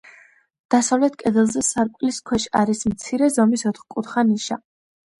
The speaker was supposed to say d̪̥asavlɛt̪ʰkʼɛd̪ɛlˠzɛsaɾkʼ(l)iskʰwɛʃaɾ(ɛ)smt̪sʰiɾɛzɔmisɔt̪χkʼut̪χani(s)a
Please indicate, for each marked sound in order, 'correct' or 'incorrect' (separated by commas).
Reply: correct, incorrect, incorrect